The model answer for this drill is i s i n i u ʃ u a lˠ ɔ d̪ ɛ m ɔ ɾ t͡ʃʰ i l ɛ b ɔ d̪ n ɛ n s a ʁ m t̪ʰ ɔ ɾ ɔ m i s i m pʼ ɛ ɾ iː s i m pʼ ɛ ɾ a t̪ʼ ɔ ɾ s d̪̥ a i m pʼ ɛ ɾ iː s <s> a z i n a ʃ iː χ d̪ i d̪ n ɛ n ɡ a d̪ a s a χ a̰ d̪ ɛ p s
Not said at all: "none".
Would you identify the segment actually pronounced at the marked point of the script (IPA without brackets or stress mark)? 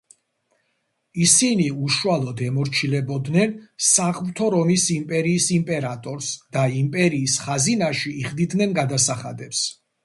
χ